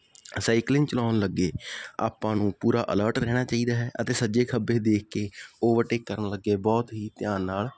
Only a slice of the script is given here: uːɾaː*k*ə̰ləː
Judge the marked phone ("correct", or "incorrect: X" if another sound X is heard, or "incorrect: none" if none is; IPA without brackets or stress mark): incorrect: ʔ